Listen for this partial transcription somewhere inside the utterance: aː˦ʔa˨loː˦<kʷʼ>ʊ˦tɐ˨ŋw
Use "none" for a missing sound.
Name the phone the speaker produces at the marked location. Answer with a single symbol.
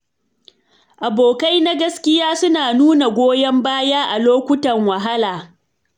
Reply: kʷ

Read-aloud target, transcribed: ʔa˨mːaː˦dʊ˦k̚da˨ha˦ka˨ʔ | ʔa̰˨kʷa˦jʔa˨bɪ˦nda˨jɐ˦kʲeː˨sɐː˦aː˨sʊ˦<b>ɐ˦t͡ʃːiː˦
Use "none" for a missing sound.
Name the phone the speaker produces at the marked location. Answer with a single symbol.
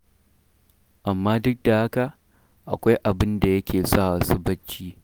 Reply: b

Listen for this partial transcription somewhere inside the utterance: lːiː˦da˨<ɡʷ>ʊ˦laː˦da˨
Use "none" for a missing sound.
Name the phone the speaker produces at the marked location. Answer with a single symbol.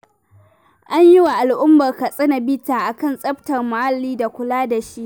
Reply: kʷ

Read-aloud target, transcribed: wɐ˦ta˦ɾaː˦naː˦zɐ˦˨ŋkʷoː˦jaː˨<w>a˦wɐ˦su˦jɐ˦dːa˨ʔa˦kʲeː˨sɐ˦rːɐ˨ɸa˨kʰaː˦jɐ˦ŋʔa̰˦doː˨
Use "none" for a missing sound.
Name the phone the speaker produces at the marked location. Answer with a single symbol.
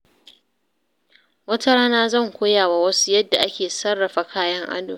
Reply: w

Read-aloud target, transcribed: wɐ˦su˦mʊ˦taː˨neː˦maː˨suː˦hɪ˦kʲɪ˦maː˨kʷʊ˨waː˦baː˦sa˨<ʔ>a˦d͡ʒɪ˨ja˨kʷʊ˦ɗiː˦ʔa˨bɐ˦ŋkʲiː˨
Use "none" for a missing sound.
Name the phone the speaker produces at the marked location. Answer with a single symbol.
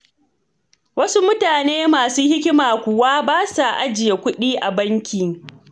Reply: ʔ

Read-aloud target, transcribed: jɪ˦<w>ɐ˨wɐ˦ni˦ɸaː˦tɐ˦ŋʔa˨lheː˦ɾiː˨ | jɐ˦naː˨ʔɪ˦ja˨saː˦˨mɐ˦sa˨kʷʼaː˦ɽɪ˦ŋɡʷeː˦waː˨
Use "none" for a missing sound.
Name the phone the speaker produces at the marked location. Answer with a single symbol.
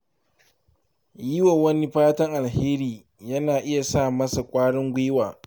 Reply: w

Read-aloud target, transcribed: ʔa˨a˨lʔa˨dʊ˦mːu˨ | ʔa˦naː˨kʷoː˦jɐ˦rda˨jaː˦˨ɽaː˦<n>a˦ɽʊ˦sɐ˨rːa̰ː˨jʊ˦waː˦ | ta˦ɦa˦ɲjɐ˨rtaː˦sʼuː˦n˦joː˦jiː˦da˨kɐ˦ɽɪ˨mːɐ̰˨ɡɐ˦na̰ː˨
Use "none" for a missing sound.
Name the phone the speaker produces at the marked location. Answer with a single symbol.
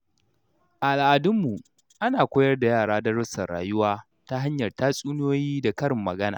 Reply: d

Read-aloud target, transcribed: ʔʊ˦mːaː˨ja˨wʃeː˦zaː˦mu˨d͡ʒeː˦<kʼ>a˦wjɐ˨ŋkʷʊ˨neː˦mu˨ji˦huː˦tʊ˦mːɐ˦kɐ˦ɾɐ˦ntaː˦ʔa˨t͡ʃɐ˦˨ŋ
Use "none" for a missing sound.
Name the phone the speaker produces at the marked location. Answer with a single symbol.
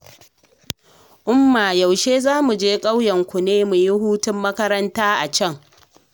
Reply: kʼ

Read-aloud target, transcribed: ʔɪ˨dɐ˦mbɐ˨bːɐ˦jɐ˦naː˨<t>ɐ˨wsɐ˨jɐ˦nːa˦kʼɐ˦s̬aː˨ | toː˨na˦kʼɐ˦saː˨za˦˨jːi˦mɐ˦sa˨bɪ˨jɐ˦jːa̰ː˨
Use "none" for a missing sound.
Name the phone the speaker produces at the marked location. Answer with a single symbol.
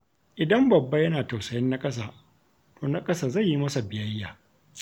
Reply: t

